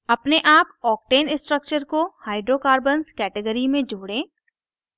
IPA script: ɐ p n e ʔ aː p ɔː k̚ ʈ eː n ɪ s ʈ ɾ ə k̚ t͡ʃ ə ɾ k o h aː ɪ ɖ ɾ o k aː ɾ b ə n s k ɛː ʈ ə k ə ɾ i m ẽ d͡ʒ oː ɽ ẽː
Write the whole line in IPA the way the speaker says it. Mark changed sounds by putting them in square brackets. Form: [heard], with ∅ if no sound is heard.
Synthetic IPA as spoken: ɐ p n e ʔ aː p ɔː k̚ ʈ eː n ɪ s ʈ ɾ ə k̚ t͡ʃ ə ɾ k o h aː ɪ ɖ ɾ o k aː ɾ b ə n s k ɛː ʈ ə [ɡ] ə ɾ i m ẽ d͡ʒ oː ɽ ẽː